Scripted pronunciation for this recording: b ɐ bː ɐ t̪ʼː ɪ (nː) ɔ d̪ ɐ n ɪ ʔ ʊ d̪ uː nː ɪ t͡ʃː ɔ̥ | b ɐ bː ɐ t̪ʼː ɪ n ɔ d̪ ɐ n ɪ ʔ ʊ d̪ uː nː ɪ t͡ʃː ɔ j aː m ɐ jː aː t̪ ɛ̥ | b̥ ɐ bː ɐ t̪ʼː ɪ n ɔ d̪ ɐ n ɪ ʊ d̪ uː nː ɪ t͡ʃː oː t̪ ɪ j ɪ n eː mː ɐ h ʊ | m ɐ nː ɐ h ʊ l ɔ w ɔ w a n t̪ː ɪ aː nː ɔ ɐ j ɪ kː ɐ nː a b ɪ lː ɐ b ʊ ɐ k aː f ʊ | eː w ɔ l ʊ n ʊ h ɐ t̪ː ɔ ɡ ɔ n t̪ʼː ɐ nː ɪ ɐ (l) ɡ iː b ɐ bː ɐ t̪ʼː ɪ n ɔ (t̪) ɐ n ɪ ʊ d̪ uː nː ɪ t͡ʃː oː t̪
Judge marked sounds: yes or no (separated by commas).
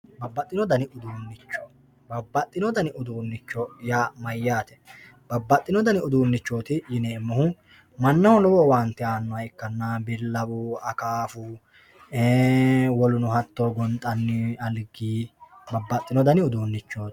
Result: no, yes, no